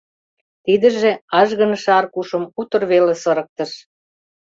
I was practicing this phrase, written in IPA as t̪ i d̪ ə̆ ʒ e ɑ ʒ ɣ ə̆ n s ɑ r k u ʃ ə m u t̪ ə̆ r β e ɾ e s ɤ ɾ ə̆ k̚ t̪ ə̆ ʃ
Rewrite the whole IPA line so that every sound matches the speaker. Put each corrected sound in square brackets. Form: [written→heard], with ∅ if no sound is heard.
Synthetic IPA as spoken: t̪ i d̪ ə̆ ʒ e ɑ ʒ ɣ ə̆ n [s→ʃ] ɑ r k u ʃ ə m u t̪ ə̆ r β e [ɾ→l] e s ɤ ɾ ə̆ k̚ t̪ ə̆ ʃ